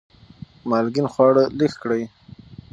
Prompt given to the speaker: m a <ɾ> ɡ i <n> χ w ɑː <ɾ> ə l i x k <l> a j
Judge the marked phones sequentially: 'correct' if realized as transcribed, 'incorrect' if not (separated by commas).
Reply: incorrect, correct, incorrect, incorrect